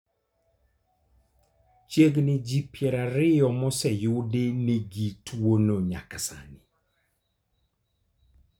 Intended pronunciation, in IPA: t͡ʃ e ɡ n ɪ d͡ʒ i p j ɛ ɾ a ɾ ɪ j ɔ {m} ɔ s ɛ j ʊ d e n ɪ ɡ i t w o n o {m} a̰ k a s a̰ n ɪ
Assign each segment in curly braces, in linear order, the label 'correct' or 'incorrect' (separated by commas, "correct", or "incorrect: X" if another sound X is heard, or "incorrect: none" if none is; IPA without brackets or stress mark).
correct, incorrect: ɲ